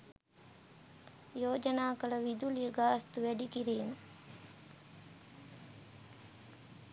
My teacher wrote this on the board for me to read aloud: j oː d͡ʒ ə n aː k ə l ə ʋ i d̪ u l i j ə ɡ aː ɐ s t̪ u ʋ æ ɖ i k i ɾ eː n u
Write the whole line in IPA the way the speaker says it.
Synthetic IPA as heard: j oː d͡ʒ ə n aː k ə l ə ʋ i d̪ u l i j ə ɡ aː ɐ s t̪ u ʋ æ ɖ i k i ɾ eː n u